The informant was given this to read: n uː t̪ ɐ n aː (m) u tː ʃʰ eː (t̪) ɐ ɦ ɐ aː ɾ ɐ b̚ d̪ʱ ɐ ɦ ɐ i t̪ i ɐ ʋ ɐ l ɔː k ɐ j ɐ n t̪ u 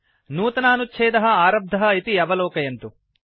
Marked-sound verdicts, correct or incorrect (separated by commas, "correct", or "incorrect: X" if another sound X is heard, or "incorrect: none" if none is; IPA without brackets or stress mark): incorrect: n, incorrect: d̪